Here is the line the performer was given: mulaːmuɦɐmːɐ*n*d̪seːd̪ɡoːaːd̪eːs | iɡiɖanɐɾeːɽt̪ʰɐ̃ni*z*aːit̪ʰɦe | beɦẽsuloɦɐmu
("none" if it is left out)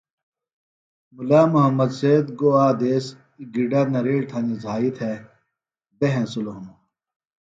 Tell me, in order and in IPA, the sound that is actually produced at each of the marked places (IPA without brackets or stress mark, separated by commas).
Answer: none, z